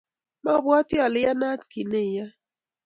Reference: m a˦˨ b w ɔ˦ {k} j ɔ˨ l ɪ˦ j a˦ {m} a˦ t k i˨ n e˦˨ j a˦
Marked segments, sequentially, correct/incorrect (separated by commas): incorrect, incorrect